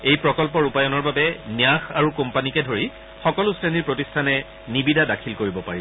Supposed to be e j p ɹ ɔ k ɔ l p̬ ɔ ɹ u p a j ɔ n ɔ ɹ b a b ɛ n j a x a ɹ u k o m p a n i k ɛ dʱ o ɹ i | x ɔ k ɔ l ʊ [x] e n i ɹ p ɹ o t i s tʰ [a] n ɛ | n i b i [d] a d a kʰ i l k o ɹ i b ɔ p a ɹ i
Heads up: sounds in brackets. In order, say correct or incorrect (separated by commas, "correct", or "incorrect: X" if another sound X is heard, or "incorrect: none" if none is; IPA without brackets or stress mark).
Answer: incorrect: s, correct, correct